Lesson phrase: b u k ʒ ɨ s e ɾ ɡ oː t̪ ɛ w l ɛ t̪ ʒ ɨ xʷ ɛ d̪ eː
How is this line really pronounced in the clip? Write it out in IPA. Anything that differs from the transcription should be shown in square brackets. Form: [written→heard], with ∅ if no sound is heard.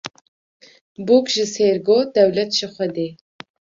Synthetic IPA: b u k ʒ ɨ s e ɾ ɡ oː [t̪→d̪] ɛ w l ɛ t̪ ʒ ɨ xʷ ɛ d̪ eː